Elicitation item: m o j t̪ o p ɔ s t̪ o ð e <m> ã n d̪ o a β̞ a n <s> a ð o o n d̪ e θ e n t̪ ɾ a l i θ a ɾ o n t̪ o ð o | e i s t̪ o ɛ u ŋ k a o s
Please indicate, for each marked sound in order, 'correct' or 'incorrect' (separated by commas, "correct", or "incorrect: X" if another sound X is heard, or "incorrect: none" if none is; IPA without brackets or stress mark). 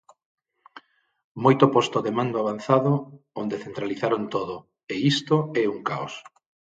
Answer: correct, incorrect: θ